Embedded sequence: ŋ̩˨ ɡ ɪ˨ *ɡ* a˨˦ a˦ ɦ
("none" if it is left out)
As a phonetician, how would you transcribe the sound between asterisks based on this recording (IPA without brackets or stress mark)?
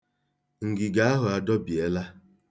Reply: ɡ